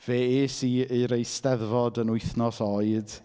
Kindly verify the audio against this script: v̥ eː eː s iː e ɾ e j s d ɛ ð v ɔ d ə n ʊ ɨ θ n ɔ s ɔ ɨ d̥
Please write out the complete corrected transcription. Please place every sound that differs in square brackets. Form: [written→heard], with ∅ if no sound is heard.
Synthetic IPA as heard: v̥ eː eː s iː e ɾ e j s [d→t] ɛ ð v ɔ d ə n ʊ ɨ θ n ɔ s ɔ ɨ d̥